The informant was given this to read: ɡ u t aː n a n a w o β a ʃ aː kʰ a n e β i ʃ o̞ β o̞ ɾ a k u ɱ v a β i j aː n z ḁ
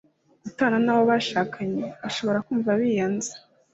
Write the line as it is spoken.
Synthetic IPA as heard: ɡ u t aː n a n a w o β a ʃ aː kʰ a ɲ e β a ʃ o̞ β o̞ ɾ a k uː ɱ v a β i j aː n z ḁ